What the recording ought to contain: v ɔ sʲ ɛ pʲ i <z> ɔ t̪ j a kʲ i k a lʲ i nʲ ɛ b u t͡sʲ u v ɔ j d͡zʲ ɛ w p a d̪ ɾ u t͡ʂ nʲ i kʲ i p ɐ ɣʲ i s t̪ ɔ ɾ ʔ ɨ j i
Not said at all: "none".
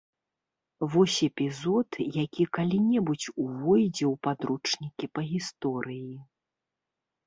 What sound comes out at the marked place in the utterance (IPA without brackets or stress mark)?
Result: z